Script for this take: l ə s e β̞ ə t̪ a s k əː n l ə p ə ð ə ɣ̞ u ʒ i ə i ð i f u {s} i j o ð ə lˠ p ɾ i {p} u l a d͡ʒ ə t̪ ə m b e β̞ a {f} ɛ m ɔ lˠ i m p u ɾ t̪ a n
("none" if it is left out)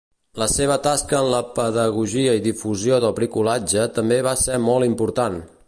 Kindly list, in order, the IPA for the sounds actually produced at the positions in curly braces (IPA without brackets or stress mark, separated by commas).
z, k, s